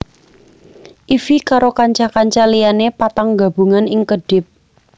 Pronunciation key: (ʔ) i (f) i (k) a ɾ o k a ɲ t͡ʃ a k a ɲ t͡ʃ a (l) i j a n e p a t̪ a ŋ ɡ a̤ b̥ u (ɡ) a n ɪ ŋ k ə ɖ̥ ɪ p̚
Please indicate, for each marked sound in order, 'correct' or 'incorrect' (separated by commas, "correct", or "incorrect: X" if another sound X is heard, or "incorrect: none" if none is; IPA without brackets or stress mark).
correct, correct, correct, correct, incorrect: ŋ